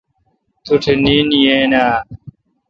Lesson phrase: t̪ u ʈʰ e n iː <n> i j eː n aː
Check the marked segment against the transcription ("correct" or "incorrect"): correct